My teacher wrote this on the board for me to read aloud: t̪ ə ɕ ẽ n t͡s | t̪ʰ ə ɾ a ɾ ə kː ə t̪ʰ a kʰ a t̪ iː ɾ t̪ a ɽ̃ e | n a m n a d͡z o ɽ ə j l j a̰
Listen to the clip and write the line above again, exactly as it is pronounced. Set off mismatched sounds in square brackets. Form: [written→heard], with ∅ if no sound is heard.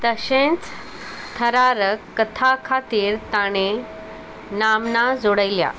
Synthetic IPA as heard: t̪ ə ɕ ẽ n t͡s | t̪ʰ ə ɾ a ɾ ə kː ə t̪ʰ a kʰ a t̪ iː ɾ t̪ a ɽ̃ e | n a m n a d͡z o ɽ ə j l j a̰